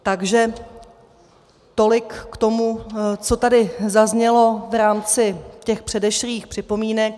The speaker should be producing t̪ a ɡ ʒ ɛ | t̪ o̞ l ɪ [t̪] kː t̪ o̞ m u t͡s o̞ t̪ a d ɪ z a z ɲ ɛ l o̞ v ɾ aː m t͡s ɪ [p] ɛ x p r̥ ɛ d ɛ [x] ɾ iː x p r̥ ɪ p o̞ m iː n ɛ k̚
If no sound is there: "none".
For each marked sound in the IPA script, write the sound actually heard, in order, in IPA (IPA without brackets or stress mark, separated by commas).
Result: none, c, ʃ